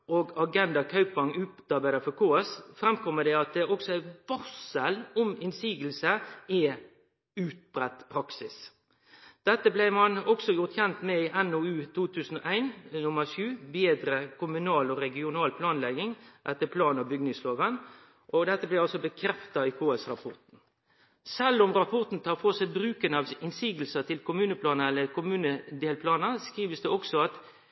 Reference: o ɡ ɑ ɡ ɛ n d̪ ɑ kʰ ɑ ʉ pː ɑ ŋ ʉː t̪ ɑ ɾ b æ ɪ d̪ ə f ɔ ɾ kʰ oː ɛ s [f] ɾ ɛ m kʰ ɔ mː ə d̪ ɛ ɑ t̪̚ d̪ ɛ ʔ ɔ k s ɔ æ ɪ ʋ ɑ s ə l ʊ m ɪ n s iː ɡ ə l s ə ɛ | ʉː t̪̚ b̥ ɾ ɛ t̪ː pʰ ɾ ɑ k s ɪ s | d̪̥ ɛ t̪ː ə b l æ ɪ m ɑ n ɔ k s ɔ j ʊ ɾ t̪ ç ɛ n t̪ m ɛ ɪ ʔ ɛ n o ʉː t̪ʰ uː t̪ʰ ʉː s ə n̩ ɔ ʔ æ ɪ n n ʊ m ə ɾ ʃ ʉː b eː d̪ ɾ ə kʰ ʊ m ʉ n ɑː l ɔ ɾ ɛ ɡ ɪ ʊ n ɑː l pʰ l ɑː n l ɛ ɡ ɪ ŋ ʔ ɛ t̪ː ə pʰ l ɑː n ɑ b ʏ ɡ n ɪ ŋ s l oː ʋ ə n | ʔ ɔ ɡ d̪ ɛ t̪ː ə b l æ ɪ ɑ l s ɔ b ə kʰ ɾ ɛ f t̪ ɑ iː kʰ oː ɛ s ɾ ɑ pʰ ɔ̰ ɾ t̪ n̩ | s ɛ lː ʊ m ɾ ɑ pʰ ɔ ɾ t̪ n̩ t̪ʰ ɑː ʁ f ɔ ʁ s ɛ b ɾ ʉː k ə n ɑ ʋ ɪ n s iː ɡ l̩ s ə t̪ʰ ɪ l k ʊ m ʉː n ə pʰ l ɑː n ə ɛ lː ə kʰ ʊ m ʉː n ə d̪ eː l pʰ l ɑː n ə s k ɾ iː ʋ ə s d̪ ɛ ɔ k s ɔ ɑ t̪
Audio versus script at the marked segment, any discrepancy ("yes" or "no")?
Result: no